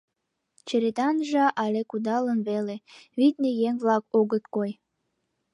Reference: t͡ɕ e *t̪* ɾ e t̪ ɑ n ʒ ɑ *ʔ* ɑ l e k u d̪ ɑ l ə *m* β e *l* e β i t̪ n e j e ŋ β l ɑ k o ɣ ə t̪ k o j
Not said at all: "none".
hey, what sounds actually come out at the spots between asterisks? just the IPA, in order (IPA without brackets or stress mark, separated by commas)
none, ʔ, n, l